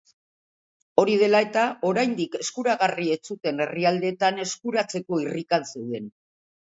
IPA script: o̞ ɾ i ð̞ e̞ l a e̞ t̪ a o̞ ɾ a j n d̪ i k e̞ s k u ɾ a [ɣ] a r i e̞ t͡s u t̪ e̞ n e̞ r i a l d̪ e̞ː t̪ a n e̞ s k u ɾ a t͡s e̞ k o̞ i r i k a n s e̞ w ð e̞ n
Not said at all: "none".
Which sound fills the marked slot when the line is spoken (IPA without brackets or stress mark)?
ɣ